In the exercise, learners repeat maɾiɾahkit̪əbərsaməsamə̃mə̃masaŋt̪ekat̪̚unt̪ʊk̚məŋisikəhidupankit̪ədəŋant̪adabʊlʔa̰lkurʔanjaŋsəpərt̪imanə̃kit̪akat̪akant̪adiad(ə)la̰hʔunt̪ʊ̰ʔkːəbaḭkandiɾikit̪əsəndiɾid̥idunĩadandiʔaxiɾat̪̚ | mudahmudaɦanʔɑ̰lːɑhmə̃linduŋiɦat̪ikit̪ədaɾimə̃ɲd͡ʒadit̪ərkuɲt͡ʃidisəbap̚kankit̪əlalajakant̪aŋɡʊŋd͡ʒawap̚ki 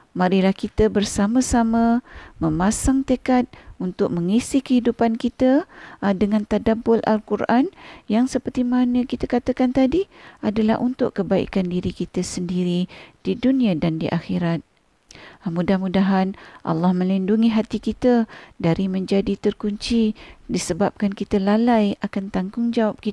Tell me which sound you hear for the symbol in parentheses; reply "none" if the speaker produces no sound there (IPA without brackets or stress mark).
a